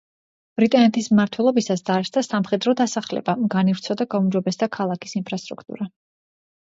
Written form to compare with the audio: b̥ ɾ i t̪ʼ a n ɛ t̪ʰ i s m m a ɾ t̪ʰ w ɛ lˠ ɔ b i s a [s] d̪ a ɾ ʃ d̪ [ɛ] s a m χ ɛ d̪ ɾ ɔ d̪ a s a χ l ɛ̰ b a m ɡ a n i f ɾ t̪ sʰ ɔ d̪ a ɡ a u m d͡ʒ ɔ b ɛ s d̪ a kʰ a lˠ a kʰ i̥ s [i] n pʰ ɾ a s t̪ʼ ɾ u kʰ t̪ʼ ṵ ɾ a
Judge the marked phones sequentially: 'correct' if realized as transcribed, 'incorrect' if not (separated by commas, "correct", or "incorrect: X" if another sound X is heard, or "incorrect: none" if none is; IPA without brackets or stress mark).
correct, incorrect: a, correct